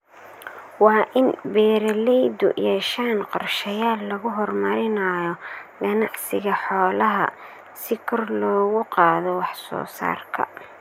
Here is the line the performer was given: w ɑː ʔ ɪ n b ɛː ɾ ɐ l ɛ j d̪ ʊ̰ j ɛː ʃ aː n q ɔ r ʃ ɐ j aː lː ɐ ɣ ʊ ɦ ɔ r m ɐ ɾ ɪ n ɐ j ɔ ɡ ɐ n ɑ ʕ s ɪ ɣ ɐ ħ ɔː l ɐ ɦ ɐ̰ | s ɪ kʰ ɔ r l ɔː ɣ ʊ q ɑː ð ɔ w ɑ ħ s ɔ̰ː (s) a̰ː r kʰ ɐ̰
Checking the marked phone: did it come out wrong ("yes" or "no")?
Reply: no